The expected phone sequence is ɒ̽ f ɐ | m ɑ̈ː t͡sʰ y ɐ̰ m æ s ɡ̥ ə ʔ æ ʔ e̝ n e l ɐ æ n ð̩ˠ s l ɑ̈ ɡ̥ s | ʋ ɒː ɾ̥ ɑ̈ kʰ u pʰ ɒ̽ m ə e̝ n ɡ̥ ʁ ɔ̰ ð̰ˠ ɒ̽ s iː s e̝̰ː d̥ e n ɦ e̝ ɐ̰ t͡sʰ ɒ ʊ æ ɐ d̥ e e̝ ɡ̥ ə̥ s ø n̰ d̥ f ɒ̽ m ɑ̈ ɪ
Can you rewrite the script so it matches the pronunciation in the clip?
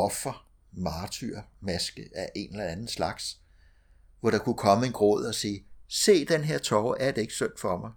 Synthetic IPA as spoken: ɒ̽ f ɐ | m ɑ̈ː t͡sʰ y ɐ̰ m æ s ɡ̥ ə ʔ æ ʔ e̝ n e l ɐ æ n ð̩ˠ s l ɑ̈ ɡ̥ s | ʋ ɒ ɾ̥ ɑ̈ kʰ u kʰ ɒ̽ m ə e̝ n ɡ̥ ʁ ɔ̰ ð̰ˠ ɒ̽ s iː s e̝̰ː d̥ e n ɦ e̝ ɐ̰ t͡sʰ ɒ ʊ æ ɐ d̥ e e̝ ɡ̥ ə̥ s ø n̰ d̥ f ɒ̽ m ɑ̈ ɪ